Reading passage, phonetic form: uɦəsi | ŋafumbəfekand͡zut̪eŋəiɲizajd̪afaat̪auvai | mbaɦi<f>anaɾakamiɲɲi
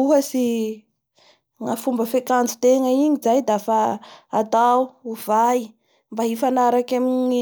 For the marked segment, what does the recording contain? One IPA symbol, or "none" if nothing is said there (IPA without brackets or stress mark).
f